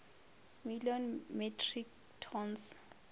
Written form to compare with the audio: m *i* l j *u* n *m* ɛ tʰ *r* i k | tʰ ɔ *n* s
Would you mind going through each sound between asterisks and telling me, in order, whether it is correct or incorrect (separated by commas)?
correct, incorrect, correct, correct, correct